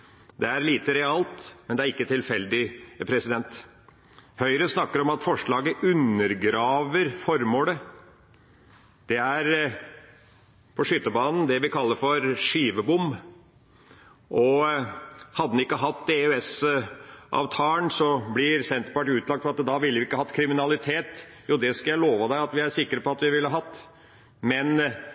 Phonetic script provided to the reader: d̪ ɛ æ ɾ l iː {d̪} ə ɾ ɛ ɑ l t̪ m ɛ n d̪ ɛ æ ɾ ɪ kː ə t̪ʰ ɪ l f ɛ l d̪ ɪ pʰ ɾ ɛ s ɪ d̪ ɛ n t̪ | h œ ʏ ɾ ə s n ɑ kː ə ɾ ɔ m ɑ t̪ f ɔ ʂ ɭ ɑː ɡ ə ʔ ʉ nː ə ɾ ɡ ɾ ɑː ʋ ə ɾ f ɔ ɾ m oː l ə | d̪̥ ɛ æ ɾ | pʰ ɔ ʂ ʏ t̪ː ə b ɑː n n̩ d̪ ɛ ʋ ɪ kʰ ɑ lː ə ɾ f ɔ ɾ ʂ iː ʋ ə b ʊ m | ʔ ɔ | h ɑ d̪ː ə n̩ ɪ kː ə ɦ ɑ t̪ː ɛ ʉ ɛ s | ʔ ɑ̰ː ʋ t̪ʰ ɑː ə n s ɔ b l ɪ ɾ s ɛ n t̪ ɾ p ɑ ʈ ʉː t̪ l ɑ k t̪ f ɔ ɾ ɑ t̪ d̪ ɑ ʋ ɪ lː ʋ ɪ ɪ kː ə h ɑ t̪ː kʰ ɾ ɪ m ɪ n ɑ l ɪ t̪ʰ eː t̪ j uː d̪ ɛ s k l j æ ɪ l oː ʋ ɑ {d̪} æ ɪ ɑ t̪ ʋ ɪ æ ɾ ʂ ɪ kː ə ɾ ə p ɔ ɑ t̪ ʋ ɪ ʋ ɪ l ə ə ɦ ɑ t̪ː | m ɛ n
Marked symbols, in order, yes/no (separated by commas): no, yes